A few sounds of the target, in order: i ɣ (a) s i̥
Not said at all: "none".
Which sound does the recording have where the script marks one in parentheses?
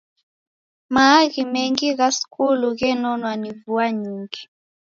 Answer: a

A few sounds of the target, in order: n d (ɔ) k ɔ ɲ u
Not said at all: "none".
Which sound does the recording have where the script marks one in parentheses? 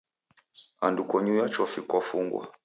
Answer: u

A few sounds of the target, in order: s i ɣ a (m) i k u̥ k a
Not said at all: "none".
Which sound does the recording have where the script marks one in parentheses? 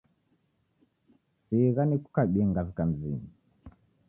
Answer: n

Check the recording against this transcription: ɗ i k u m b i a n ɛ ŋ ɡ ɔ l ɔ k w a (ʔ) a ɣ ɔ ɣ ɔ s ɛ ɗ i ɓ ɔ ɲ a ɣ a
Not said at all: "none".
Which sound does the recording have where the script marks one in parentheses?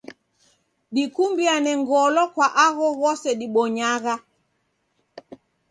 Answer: ʔ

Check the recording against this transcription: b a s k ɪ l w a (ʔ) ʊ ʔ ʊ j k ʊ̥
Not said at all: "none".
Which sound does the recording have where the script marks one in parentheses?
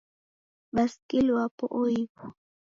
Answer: p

